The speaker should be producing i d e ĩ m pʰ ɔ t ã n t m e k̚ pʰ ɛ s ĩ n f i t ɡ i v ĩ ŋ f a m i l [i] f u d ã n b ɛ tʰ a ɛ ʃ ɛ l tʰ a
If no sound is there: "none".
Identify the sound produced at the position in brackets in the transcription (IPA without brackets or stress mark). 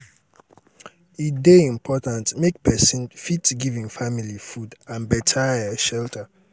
i